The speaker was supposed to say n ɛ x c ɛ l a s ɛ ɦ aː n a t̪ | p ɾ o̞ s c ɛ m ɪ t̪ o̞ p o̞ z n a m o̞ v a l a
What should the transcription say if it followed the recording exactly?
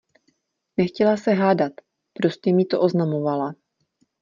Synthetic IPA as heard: n ɛ x c ɛ l a s ɛ ɦ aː d a t̪ | p ɾ o̞ s c ɛ m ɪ t̪ o̞ ʔ o̞ z n a m o̞ v a l a